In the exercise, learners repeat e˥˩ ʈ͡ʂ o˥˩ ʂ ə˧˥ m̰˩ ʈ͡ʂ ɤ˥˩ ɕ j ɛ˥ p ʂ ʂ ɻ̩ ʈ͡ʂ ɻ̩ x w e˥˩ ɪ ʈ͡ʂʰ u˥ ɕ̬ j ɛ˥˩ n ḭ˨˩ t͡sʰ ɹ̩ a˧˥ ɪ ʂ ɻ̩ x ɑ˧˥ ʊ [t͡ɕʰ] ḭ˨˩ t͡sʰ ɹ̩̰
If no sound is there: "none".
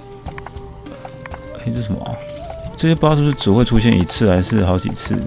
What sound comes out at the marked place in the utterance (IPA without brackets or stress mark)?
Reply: t͡ɕ